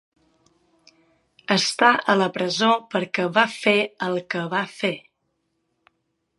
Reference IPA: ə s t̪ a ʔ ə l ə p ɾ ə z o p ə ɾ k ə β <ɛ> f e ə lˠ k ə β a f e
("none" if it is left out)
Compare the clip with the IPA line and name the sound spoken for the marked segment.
a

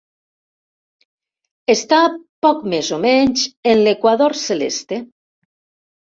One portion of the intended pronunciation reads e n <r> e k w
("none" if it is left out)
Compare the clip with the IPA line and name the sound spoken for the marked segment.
l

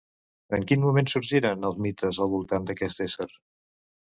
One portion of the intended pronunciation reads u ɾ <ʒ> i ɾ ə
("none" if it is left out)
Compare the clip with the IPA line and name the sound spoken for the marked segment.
ʒ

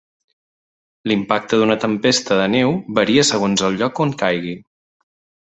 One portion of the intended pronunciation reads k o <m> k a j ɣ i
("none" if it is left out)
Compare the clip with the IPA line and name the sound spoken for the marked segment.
ŋ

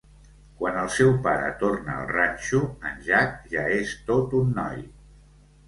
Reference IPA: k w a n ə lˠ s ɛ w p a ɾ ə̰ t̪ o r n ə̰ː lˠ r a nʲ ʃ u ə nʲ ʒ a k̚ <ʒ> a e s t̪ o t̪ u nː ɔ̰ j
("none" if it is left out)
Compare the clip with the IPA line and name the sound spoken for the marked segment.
ʒ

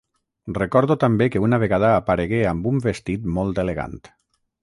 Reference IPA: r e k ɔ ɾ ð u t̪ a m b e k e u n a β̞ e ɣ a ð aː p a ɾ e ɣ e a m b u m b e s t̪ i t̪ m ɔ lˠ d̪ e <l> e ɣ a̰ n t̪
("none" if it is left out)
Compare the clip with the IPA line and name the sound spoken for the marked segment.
l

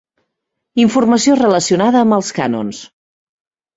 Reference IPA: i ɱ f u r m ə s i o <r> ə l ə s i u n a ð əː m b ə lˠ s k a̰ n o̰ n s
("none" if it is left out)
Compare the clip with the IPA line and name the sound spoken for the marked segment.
r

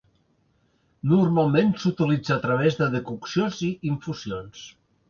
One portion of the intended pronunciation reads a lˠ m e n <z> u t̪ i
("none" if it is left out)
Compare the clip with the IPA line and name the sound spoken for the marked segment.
s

